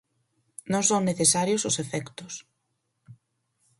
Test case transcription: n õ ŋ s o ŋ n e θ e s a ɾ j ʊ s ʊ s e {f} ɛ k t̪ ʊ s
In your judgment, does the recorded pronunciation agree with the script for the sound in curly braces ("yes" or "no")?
yes